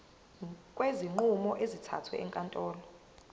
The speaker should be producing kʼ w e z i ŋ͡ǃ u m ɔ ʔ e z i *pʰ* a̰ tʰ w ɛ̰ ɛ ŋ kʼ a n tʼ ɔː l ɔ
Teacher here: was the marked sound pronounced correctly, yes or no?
no